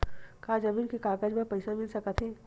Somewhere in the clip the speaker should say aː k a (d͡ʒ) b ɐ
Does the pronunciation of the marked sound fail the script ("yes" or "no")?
no